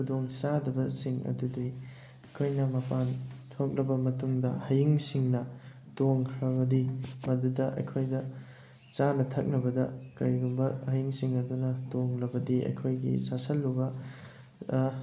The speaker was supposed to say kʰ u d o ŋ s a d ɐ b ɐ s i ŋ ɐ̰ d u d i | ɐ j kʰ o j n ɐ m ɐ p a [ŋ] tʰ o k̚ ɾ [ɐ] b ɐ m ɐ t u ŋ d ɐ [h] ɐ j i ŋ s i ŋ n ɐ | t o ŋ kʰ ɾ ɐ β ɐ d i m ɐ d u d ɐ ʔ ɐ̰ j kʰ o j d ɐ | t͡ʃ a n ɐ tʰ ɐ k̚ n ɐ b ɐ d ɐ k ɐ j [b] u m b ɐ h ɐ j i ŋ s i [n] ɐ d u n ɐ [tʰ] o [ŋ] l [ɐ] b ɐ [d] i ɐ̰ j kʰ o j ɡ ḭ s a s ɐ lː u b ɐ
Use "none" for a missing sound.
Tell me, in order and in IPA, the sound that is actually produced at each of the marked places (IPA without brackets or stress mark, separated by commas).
n, ɐ, h, ɡ, ŋ, t, ŋ, ɐ, d